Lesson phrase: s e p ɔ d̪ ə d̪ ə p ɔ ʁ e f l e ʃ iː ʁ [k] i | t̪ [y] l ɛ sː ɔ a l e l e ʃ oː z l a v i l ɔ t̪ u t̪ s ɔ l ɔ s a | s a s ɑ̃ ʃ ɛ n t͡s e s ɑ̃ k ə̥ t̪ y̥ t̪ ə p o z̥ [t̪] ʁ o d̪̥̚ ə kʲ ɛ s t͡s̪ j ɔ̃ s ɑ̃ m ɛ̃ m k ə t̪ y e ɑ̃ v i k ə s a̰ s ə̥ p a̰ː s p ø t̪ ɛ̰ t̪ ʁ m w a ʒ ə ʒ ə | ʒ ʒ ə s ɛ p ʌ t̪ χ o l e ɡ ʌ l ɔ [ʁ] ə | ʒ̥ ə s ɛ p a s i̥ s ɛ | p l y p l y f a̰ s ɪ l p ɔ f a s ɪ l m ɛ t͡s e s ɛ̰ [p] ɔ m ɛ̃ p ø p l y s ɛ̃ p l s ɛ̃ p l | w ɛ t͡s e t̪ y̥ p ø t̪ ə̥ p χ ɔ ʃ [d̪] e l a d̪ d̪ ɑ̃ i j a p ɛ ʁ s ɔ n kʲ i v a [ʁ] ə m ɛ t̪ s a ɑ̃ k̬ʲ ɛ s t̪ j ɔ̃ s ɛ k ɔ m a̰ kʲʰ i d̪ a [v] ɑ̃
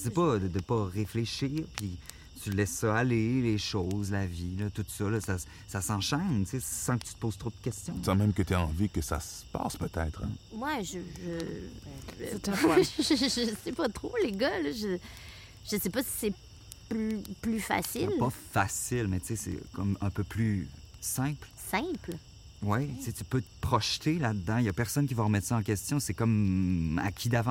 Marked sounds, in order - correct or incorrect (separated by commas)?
incorrect, correct, correct, incorrect, incorrect, incorrect, correct, correct